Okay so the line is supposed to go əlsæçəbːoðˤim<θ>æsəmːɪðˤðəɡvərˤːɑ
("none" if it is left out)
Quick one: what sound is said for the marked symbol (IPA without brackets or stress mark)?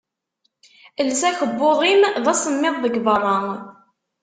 ð